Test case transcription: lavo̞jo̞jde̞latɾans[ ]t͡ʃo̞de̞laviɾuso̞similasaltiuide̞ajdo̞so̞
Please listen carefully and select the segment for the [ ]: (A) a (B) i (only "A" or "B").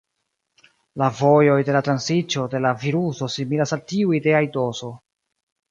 B